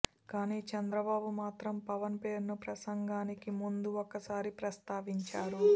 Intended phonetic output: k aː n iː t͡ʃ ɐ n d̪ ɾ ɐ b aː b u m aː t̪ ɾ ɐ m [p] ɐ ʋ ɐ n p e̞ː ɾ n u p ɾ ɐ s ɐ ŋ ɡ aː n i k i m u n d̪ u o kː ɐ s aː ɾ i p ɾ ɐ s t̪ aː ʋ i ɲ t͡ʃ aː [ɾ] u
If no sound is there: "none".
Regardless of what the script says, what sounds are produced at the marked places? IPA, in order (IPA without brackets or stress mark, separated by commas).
p, ɾ